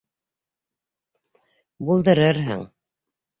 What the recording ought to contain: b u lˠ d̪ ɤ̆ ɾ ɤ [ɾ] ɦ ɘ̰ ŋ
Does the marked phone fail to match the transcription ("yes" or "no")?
no